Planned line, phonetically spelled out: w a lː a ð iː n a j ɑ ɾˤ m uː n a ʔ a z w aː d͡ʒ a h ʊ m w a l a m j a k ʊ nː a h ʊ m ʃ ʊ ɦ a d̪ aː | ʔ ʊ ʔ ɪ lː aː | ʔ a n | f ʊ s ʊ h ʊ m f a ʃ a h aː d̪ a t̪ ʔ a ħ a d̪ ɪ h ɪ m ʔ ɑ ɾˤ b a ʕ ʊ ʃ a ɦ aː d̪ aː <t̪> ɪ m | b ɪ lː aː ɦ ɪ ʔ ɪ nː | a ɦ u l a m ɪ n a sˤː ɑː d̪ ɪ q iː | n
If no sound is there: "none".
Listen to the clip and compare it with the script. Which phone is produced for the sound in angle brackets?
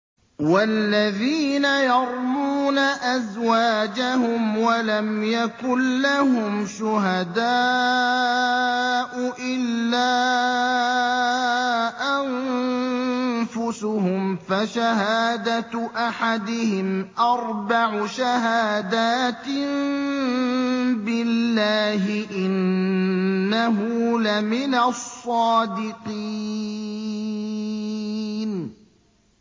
t̪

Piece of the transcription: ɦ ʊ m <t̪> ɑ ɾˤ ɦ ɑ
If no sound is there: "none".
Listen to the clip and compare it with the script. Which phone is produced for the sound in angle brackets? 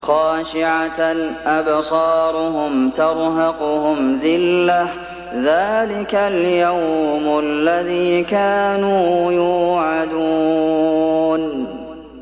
t̪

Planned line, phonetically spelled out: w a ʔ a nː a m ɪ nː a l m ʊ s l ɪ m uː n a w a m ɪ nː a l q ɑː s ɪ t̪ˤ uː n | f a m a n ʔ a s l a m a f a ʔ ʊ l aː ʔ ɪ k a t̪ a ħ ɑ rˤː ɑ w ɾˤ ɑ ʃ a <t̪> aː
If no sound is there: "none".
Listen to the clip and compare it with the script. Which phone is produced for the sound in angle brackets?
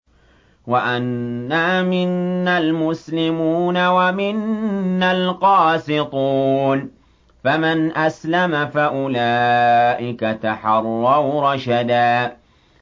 d̪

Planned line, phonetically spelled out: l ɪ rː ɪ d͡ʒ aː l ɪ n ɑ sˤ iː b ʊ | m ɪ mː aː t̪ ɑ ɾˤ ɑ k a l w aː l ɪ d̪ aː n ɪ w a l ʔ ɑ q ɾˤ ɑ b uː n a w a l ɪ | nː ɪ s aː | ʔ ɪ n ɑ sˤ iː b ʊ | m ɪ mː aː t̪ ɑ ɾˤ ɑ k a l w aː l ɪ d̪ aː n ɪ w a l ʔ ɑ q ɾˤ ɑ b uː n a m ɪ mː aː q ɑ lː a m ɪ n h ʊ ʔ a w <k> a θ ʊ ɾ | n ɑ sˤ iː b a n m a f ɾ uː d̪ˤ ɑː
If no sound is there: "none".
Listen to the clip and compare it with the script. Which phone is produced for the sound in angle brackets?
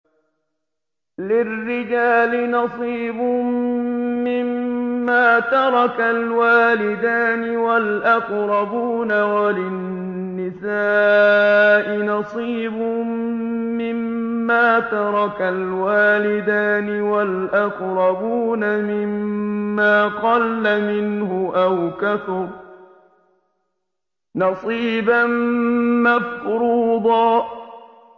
k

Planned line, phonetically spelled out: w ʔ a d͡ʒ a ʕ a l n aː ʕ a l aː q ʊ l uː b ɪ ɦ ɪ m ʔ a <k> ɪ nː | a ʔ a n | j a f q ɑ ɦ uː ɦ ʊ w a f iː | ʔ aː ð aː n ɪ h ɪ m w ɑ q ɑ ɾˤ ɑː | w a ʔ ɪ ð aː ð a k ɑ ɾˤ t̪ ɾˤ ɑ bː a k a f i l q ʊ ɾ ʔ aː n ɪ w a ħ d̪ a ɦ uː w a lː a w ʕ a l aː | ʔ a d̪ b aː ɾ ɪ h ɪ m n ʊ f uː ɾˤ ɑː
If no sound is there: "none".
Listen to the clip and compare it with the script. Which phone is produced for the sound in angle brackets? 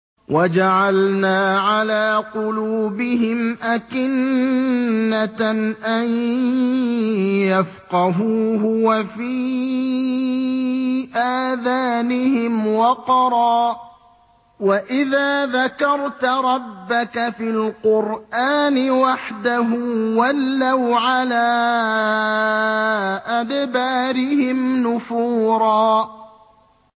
k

